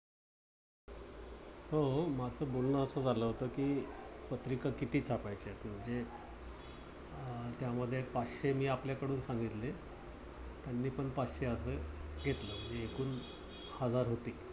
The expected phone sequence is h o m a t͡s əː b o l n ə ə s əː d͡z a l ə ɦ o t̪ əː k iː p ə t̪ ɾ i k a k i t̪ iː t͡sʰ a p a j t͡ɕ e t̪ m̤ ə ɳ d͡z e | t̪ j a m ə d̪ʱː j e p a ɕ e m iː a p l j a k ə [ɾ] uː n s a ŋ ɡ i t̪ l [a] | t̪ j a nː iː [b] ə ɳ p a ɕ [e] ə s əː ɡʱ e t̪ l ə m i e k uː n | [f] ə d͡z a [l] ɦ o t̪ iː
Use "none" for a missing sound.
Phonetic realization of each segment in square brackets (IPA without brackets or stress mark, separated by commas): ɽ, e, p, e, h, ɾ